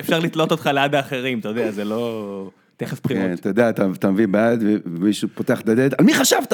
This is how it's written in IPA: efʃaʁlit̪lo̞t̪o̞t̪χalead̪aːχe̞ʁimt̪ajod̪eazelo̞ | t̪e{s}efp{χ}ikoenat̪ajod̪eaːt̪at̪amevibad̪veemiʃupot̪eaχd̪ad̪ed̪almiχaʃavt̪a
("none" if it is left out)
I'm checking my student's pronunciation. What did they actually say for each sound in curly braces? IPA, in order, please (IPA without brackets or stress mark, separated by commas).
χ, χ